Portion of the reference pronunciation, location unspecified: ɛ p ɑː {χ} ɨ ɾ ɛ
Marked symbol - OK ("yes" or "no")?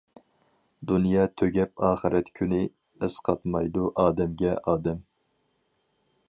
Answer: yes